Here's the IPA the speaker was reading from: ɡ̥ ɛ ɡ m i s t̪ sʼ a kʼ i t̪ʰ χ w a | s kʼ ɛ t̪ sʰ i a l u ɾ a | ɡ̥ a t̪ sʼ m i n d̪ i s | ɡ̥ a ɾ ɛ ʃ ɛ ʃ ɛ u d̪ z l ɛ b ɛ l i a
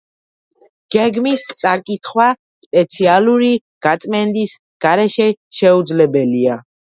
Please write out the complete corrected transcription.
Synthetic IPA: ɡ̥ ɛ ɡ m i s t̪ sʼ a kʼ i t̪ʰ χ w a | s pʼ ɛ t̪ sʰ i a l u ɾ i | ɡ̥ a t̪ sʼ m ɛ n d̪ i s | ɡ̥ a ɾ ɛ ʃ ɛ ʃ ɛ u d̪ z l ɛ b ɛ l i a